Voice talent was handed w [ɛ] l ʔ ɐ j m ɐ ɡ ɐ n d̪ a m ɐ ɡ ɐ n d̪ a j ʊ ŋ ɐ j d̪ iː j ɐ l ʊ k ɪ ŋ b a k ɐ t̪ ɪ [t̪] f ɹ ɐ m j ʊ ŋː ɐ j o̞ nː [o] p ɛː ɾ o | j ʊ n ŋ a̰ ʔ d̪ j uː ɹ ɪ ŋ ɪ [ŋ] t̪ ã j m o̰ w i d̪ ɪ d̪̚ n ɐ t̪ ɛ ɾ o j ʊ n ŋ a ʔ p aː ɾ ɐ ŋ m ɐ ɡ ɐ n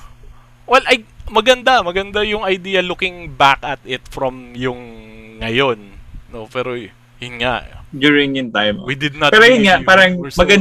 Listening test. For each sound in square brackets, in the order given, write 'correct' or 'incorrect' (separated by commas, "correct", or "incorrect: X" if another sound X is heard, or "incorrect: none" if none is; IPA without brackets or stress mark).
correct, correct, correct, incorrect: n